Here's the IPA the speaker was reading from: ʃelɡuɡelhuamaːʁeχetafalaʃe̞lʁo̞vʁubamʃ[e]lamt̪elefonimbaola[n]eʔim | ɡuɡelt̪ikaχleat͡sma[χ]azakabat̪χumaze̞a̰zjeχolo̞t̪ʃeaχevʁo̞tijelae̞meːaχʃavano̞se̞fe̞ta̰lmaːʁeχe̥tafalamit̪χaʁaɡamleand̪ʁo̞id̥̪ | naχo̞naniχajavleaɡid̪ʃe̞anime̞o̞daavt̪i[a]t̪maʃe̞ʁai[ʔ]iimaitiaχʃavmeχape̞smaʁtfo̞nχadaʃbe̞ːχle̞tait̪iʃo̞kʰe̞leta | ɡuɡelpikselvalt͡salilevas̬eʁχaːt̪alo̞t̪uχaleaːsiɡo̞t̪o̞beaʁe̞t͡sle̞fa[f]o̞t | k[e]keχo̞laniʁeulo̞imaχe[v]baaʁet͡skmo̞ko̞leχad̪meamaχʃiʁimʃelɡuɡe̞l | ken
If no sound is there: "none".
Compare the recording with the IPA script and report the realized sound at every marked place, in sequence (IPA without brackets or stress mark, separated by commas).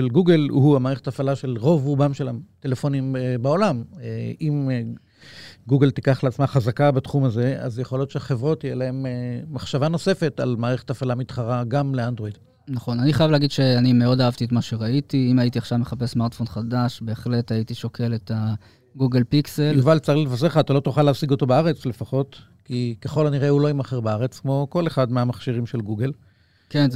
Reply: e, m, χ, e, t, χ, i, ʁ